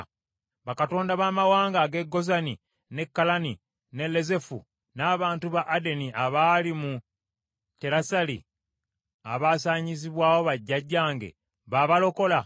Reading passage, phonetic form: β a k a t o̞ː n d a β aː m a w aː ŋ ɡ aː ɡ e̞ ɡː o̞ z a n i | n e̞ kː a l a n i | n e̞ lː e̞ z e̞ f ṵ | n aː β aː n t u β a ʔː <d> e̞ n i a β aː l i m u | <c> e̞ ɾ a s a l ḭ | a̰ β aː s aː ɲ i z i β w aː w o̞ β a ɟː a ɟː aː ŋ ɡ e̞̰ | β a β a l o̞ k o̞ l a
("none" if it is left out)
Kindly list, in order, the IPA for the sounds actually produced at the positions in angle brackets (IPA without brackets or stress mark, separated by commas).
d, t